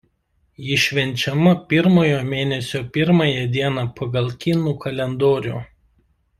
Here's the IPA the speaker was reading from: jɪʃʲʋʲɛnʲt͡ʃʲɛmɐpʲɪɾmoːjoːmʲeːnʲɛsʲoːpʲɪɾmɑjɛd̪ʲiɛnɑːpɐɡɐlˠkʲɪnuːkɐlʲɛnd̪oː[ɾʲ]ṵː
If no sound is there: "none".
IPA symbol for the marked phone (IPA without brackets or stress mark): ɾʲ